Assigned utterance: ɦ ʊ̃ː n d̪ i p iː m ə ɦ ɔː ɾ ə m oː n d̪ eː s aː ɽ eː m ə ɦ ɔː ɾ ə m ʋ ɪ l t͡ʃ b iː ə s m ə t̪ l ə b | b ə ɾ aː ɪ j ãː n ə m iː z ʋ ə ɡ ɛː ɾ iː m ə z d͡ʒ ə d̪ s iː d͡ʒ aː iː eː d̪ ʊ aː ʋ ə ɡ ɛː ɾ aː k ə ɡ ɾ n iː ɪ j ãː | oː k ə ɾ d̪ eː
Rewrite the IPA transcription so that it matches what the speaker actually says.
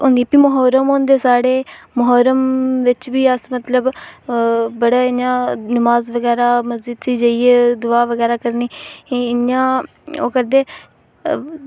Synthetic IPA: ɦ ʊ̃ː n d̪ i p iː m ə ɦ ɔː ɾ ə m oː n d̪ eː s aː ɽ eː m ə ɦ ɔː ɾ ə m ʋ ɪ t͡ʃ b iː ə s m ə t̪ l ə b | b ə ɽ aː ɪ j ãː n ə m aː z ʋ ə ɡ ɛː ɾ aː m ə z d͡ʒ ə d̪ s iː d͡ʒ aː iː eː d̪ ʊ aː ʋ ə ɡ ɛː ɾ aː k ə ɾ n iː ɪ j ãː | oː k ə ɾ d̪ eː